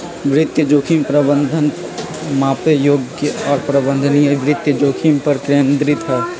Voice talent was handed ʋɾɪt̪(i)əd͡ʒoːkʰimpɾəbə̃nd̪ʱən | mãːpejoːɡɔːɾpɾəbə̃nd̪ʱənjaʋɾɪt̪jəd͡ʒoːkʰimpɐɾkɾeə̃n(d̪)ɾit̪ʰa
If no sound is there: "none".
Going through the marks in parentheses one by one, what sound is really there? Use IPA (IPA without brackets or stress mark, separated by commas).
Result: j, d̪